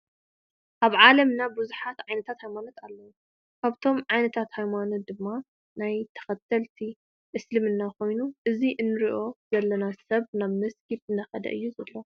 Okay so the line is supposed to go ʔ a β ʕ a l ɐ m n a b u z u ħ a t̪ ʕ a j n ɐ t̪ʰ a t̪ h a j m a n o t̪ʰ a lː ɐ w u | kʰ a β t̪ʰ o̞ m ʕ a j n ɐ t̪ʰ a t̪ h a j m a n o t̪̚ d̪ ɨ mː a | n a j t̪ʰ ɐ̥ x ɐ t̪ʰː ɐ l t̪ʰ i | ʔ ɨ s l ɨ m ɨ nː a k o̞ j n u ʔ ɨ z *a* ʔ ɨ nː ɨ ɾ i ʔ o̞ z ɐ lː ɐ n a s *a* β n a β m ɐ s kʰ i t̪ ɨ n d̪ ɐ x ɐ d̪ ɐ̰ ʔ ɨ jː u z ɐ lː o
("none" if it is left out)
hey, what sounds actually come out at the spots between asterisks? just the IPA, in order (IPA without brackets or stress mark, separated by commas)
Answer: i, ɐ